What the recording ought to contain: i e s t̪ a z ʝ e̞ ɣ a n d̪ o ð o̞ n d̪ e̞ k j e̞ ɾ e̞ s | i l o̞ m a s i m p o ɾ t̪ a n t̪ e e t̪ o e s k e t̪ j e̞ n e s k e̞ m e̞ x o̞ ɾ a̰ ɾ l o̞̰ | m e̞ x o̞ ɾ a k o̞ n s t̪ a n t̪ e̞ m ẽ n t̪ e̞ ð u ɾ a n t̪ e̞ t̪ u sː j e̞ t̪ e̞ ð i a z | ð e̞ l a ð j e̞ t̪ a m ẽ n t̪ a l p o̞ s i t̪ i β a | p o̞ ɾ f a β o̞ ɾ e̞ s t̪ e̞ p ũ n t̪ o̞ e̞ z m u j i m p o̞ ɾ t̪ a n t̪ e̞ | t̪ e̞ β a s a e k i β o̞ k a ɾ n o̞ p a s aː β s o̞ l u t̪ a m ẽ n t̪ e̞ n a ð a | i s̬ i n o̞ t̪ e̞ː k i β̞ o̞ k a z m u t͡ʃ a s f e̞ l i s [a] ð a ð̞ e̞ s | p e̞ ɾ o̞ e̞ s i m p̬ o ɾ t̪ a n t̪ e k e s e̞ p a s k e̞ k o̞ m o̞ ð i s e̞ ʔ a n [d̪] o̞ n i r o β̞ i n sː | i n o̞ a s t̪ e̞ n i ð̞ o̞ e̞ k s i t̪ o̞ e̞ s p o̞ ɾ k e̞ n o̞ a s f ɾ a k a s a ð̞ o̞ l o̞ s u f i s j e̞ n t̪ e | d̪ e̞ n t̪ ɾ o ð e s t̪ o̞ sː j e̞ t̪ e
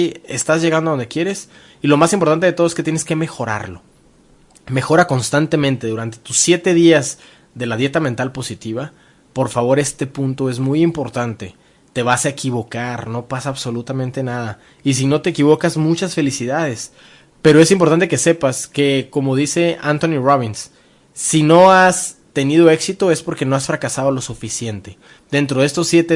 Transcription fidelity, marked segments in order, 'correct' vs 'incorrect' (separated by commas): incorrect, incorrect